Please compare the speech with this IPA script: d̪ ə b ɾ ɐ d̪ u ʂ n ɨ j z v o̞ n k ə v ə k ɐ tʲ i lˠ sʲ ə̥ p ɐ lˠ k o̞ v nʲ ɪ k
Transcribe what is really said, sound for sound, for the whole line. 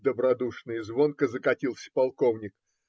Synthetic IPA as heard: d̪ ə b ɾ ɐ d̪ u ʂ n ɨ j z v o̞ n k ə z ə k ɐ tʲ i lˠ sʲ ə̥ p ɐ lˠ k o̞ v nʲ ɪ k